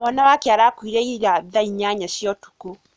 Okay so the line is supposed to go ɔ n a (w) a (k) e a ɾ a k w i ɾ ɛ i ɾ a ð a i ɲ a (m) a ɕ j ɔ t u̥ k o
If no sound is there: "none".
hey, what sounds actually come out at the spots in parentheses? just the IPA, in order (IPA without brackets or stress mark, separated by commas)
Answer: w, k, ɲ